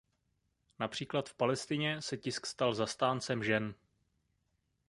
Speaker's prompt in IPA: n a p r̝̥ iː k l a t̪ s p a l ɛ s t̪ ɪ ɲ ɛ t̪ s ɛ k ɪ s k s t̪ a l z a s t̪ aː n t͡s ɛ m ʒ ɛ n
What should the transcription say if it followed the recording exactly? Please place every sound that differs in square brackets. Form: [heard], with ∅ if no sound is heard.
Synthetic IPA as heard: n a p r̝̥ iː k l a t̪ [f] p a l ɛ s t̪ ɪ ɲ ɛ [∅] s ɛ [c] ɪ s k s t̪ a l z a s t̪ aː n t͡s ɛ m ʒ ɛ n